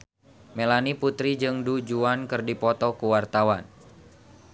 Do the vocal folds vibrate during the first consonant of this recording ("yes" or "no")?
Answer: yes